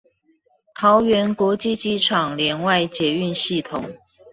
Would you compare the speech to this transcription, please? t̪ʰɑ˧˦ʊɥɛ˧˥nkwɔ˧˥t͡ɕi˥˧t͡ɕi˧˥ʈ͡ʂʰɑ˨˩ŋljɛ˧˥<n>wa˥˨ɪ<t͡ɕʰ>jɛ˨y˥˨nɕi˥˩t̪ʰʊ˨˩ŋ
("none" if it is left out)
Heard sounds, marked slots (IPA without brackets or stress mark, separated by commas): n, t͡ɕ